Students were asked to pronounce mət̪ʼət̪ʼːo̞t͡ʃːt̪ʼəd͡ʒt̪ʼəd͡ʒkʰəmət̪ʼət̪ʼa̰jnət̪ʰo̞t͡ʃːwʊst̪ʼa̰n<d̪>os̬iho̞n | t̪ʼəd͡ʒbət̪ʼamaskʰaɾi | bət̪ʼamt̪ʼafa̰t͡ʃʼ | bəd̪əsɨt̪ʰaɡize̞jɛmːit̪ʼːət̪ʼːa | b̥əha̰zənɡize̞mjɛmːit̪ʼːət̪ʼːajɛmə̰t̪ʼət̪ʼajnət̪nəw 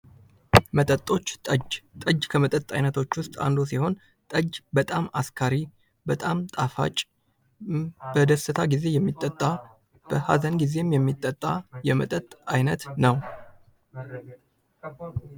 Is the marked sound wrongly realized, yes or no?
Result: no